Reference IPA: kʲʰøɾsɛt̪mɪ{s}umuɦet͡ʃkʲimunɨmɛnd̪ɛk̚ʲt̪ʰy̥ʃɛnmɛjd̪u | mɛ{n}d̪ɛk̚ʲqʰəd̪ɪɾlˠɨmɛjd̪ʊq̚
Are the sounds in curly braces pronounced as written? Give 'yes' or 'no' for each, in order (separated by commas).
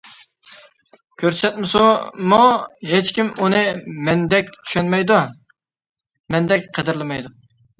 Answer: yes, yes